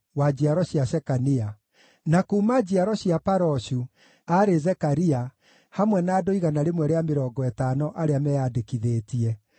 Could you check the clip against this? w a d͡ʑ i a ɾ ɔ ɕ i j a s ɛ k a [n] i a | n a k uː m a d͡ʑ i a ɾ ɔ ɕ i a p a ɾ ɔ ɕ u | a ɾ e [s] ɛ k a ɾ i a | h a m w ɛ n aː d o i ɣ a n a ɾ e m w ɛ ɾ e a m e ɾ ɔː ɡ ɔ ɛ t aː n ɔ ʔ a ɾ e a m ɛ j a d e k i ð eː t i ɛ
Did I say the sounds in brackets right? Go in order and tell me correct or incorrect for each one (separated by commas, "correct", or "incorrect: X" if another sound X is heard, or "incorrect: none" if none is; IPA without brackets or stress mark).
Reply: correct, incorrect: z